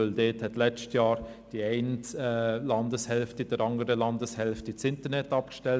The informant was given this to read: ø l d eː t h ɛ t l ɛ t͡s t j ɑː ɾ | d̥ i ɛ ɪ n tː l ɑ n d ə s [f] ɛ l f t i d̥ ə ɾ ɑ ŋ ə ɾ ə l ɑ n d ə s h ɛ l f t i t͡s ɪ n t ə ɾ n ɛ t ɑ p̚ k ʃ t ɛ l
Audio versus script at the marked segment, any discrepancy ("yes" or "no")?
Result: yes